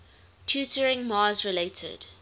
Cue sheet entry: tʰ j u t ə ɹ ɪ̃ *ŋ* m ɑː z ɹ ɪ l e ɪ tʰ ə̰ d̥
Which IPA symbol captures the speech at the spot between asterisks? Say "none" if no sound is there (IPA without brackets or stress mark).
ŋ